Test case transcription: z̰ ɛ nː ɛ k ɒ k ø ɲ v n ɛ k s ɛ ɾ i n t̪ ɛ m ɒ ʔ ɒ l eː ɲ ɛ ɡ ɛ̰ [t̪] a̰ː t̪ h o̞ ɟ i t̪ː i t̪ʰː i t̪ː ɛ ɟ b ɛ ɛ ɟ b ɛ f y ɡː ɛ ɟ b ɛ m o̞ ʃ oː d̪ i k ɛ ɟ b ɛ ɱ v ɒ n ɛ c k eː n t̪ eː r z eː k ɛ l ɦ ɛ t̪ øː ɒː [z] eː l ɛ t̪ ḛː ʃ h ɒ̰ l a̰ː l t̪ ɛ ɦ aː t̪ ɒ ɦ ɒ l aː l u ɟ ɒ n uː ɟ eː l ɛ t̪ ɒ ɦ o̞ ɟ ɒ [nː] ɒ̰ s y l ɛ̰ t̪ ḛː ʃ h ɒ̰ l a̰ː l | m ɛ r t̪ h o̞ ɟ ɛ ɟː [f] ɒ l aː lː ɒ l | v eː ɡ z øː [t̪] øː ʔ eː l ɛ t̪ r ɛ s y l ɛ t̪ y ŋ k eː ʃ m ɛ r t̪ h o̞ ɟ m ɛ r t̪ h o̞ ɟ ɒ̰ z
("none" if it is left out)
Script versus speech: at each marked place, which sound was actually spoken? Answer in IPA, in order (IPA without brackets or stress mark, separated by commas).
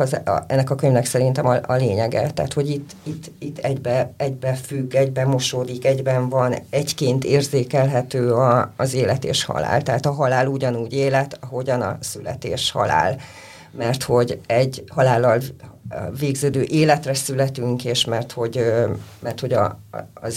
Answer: t̪, z, n, h, d̪